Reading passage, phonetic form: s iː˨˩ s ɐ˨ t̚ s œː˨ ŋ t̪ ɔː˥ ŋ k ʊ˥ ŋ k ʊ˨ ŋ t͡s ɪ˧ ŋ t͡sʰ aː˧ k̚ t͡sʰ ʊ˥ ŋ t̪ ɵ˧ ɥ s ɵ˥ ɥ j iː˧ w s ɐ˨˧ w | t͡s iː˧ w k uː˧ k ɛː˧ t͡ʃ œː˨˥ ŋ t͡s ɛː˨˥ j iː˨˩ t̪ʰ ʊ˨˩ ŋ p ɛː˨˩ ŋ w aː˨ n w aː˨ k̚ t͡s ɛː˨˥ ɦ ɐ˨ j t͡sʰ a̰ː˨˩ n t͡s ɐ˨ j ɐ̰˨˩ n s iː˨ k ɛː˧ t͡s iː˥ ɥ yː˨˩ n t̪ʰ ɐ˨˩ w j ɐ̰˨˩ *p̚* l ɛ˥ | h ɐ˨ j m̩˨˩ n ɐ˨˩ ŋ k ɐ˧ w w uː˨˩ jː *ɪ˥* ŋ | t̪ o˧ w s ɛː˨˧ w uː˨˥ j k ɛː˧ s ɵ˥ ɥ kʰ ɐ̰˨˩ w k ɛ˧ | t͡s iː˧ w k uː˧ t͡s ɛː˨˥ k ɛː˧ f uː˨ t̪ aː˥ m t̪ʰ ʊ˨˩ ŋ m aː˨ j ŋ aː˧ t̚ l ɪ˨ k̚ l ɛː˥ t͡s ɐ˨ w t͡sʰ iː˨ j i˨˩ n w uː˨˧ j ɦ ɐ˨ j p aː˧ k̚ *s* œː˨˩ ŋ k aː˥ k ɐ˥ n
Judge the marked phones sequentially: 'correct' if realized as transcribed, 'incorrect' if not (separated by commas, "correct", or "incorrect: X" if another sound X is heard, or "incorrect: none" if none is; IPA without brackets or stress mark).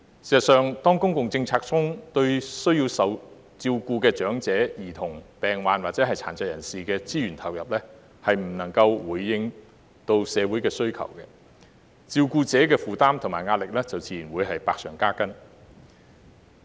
correct, incorrect: ɪ˧, correct